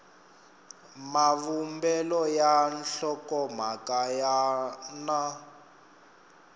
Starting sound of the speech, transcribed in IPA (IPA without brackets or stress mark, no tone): m